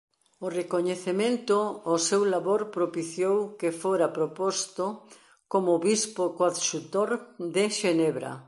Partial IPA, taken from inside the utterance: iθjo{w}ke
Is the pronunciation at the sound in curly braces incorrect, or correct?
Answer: correct